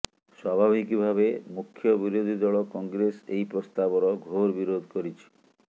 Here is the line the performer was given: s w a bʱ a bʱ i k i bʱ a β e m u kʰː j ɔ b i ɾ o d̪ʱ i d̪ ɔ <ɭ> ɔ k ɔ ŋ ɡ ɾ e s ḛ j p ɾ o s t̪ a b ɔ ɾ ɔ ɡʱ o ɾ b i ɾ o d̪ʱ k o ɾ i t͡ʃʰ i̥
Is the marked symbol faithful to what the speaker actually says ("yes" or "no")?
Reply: yes